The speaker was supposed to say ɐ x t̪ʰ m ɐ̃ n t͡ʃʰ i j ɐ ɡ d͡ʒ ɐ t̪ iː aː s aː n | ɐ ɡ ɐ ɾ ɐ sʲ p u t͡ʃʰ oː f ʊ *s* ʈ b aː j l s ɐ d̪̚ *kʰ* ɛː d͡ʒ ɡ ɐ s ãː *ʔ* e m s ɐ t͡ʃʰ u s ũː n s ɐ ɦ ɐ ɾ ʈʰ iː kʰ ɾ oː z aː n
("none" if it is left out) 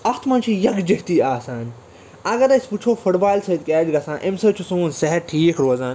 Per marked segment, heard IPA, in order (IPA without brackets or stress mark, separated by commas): none, k, ʔ